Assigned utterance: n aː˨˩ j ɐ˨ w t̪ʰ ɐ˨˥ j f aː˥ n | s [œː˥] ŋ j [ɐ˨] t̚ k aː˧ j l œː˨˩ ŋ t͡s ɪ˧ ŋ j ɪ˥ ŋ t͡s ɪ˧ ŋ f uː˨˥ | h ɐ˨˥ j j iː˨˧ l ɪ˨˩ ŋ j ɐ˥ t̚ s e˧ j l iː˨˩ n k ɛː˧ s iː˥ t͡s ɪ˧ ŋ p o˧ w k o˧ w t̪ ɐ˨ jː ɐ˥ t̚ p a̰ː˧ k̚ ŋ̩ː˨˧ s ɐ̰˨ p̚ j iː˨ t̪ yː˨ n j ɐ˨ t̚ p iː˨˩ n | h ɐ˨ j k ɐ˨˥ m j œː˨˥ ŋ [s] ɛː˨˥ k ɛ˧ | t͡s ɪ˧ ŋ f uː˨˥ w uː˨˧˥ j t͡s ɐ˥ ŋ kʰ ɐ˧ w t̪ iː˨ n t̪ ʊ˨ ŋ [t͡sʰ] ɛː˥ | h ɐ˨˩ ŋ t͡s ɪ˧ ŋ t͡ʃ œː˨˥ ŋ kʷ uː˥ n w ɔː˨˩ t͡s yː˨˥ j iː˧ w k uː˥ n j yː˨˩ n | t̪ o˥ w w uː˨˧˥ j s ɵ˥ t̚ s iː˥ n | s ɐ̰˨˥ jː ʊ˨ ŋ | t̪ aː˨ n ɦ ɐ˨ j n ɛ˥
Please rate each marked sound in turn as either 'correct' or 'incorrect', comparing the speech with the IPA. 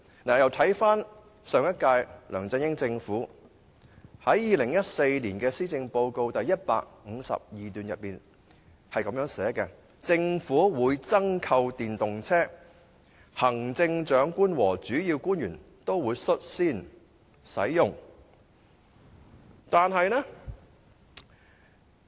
incorrect: œː˨˧, incorrect: ɐ˥, correct, correct

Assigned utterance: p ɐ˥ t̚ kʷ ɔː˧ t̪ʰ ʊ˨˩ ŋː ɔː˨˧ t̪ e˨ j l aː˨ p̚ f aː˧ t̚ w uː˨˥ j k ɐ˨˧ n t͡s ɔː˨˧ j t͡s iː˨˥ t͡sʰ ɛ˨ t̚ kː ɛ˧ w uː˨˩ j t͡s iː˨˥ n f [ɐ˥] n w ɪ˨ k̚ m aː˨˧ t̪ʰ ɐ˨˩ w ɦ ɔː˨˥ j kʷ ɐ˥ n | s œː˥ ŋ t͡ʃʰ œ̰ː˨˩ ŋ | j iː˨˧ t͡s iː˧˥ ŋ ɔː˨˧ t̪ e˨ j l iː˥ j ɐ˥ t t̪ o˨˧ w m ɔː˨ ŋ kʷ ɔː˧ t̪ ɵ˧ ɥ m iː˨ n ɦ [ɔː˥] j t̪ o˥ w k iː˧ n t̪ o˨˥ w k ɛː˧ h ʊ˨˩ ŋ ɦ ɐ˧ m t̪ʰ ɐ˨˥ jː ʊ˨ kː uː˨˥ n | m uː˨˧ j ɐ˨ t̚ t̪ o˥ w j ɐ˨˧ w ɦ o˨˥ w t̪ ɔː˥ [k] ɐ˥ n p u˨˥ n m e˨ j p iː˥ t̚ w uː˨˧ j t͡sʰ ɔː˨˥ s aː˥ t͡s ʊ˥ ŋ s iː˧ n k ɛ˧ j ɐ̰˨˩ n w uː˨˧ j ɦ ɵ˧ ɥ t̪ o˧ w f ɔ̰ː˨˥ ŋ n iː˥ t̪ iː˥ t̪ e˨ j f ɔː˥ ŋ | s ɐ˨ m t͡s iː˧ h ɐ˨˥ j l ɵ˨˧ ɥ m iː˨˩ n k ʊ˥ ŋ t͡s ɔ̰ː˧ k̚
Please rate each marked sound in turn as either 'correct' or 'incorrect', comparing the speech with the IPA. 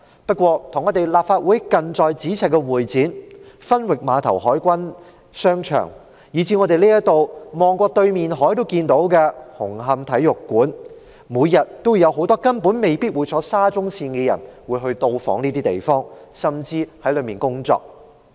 correct, incorrect: ɔː˨˥, correct

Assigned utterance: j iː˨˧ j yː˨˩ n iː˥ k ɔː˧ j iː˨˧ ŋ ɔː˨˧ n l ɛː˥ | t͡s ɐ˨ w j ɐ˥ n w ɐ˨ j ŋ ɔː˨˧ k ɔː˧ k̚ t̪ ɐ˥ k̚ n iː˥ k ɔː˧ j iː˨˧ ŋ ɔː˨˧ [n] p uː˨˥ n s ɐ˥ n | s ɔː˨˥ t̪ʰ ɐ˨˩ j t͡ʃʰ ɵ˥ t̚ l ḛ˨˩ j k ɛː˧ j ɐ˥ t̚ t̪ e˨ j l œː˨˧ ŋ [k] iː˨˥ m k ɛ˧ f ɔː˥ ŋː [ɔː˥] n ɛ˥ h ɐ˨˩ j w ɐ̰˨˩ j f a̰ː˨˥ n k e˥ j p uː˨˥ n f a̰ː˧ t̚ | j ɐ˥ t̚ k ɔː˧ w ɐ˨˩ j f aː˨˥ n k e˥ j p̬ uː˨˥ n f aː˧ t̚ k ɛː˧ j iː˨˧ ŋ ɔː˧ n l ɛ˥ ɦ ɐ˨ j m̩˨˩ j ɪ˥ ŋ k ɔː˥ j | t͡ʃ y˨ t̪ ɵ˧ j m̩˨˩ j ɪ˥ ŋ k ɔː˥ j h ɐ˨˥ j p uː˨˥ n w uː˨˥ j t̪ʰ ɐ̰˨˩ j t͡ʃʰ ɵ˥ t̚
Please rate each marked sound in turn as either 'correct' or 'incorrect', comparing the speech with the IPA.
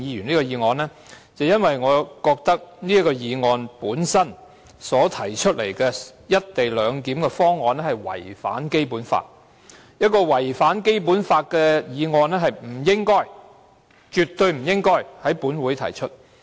correct, correct, incorrect: ɔː˨˧

